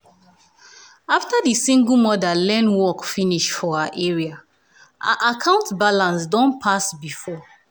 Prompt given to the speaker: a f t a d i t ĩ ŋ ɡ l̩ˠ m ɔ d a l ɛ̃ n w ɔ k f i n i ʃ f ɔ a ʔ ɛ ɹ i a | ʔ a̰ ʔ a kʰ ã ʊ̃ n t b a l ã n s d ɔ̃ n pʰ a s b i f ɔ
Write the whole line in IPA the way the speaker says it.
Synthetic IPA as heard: a f t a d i s ĩ ŋ ɡ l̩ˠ m ɔ d a l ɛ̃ n w ɔ k f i n i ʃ f ɔ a ʔ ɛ ɹ i a | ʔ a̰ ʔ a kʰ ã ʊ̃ n t b a l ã n s d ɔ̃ n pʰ a s b i f ɔ